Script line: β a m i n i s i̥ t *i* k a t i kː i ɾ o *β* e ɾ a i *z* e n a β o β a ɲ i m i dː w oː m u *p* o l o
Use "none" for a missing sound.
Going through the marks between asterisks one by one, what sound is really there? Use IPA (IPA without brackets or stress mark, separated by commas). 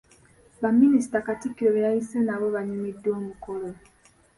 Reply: a, β, s, k